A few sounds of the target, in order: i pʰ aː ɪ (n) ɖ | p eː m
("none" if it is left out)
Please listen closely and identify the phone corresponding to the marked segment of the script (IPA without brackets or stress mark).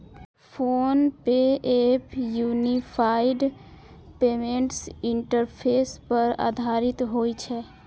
none